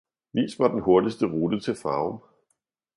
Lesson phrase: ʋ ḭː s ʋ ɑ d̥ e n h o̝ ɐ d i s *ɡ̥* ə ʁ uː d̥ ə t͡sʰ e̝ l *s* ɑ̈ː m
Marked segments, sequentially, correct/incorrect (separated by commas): incorrect, incorrect